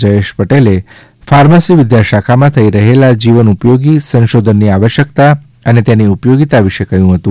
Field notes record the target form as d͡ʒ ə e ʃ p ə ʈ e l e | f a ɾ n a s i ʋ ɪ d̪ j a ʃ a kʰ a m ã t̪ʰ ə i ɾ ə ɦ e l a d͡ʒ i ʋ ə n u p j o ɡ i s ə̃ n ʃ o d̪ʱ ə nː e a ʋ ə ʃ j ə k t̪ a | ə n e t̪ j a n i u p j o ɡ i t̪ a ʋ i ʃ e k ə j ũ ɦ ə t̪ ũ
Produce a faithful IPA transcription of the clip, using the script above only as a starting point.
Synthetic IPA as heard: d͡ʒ ə e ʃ p ə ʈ e l e | f a ɾ m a s i ʋ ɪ d̪ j a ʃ a kʰ a m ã t̪ʰ ə i ɾ ə ɦ e l a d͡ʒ i ʋ ə n u p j o ɡ i s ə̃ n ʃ o d̪ʱ ə nː i a ʋ ə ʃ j ə k t̪ a | ə n e t̪ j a n i u p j o ɡ i t̪ a ʋ i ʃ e k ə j ũ ɦ ə t̪ ũ